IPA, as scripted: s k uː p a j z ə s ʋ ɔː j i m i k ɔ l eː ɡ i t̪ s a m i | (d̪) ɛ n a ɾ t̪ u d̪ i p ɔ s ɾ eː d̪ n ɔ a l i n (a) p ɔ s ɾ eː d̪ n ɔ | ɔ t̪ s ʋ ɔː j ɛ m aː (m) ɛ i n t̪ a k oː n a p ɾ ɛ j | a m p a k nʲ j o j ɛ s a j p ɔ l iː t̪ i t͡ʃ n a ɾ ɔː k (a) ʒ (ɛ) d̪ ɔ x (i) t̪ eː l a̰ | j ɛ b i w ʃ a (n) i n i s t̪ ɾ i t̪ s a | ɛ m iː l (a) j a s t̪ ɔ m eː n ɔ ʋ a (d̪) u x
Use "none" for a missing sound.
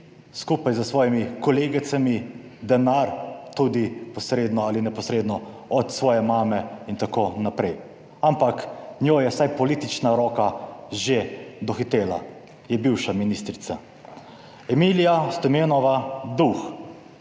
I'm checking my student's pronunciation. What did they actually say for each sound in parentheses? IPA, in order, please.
d̪, ɛ, m, a, e, i, m, i, d̪

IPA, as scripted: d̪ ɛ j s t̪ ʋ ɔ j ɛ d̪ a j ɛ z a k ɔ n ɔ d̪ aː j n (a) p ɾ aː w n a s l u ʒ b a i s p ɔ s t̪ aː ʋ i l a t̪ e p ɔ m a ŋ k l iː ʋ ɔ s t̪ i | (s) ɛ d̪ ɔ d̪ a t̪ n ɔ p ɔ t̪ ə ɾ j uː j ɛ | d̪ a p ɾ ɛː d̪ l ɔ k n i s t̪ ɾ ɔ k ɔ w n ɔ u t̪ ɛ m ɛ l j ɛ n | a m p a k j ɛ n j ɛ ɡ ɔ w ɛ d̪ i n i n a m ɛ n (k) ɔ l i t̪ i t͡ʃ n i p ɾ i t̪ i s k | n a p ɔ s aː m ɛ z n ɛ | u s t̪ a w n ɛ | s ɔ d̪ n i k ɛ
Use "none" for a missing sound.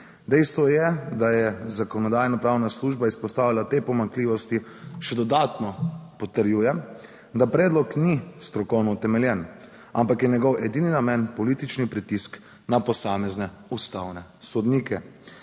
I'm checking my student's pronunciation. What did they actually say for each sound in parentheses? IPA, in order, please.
a, ʃ, p

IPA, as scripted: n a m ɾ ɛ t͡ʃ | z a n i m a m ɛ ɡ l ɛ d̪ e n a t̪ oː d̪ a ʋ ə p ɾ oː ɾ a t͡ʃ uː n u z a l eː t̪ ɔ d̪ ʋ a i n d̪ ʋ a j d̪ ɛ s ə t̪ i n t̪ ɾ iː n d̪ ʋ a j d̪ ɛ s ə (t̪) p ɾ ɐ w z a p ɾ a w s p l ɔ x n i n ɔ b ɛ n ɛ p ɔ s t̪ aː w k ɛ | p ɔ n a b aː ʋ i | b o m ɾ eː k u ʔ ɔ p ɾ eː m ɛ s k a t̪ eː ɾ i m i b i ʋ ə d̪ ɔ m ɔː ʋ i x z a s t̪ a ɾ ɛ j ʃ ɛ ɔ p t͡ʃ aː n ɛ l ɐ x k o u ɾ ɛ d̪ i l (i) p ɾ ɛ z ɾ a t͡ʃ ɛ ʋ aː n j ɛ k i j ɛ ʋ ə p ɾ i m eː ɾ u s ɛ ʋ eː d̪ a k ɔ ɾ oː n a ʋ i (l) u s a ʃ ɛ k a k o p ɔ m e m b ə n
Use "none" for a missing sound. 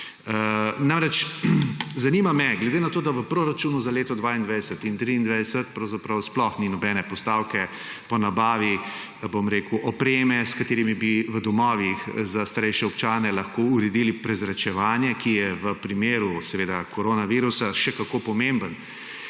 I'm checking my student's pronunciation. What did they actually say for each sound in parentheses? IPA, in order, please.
t̪, i, ɾ

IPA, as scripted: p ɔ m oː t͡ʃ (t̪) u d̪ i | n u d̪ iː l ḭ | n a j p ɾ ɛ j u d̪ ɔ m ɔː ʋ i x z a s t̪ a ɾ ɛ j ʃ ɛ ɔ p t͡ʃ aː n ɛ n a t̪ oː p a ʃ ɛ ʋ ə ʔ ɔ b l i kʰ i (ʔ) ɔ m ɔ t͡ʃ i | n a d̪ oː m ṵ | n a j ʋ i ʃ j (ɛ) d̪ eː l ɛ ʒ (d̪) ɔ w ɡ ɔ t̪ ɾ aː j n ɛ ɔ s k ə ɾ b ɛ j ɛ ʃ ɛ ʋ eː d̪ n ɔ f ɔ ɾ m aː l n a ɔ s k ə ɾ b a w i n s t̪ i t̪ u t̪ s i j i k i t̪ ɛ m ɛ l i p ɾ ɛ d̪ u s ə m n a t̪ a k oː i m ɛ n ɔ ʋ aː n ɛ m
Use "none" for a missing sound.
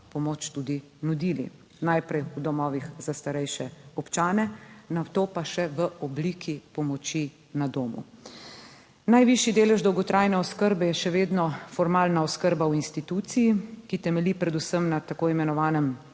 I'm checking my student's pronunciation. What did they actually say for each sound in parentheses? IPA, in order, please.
t̪, p, i, d̪

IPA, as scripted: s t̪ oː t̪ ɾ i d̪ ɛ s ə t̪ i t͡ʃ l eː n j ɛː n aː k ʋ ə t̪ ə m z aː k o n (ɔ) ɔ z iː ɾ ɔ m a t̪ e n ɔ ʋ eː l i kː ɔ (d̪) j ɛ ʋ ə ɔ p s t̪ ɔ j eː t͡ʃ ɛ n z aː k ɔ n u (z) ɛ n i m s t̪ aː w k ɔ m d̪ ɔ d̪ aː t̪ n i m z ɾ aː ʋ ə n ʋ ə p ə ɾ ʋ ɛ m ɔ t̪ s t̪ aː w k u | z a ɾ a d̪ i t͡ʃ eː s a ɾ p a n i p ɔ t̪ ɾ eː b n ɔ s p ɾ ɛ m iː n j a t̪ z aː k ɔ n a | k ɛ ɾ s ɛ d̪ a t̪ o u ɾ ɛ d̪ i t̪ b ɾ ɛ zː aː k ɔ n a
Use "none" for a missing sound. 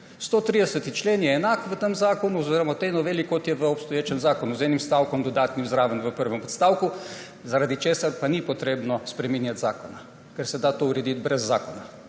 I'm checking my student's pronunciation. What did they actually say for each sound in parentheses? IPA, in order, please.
u, t̪, z

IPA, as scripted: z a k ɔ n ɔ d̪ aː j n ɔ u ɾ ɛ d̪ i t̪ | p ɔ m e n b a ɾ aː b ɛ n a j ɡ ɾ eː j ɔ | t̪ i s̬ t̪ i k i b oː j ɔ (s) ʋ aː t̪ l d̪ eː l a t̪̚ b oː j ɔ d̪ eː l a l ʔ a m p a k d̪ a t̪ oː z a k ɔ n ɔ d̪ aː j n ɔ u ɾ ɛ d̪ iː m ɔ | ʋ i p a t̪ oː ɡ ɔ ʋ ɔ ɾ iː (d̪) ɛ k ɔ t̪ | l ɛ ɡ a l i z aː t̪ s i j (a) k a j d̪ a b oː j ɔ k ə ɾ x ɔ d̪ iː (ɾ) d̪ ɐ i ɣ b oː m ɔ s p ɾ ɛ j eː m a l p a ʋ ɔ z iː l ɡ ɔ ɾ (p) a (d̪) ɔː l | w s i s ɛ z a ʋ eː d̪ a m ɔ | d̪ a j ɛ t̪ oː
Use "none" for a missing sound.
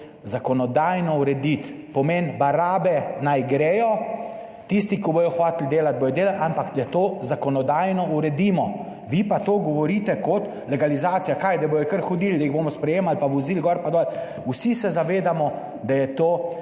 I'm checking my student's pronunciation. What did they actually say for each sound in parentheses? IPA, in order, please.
x, t̪, a, l, p, d̪

